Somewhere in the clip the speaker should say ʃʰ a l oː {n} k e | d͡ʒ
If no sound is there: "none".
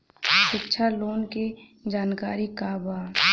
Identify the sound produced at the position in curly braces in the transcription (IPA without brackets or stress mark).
n